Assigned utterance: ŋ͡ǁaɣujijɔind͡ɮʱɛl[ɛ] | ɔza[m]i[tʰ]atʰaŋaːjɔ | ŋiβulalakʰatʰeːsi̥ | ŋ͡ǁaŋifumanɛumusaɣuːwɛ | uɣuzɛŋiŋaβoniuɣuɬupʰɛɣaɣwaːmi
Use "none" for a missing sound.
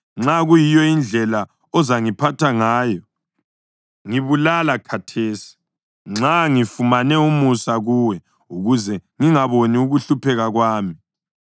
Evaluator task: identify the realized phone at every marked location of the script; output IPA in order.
a, ŋ, pʰ

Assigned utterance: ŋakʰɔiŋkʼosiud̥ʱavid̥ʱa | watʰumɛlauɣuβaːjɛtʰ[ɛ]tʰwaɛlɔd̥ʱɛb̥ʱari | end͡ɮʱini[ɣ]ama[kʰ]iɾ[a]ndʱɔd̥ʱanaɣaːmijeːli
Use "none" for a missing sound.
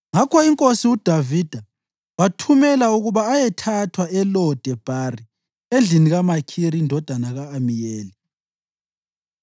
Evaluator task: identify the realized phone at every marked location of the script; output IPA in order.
a, ɣ, kʰ, i

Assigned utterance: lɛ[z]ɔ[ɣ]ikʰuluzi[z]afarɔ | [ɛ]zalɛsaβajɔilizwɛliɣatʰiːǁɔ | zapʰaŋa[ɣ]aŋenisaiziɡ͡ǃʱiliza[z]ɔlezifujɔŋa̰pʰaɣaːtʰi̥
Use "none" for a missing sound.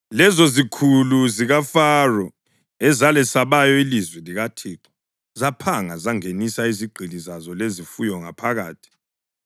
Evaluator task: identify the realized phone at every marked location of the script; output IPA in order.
z, z, ɣ, ɛ, z, z

